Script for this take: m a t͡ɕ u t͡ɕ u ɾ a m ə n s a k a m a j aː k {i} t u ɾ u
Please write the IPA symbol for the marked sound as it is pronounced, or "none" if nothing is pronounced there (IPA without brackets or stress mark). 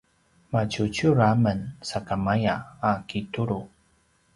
i